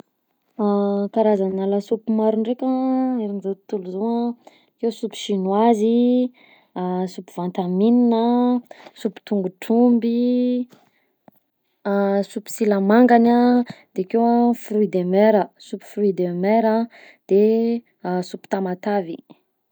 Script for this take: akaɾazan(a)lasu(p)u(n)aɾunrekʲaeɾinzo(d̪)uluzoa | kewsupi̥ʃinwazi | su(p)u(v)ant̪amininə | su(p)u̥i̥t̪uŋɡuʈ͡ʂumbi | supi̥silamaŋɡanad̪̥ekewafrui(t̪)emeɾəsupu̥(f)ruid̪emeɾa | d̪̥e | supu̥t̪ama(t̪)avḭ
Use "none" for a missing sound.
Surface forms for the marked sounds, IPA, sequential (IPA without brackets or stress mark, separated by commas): a, p, m, t̪, p, v, p, d̪, f, t̪